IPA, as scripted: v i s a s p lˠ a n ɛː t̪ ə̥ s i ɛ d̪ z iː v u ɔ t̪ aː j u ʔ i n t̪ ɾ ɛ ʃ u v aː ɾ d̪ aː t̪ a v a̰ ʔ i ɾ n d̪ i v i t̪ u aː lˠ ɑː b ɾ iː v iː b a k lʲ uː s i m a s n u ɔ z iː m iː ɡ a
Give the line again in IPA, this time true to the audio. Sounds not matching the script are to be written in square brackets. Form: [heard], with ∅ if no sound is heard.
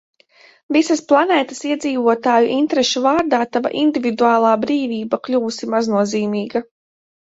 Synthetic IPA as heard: v i s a s p lˠ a n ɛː t̪ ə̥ s i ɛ d̪ z iː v u ɔ t̪ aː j u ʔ i n t̪ ɾ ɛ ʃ u v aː ɾ d̪ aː t̪ a v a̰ ʔ i [∅] n d̪ i v i [d̪] u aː lˠ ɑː b ɾ iː v iː b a k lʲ uː s i m a [z] n u ɔ z iː m iː ɡ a